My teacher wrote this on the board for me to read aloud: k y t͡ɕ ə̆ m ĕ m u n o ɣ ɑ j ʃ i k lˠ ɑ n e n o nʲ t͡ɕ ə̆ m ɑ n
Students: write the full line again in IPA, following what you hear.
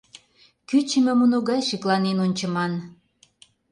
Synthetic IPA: k y t͡ɕ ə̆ m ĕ m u n o ɣ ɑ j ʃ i k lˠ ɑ n e n o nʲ t͡ɕ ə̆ m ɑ n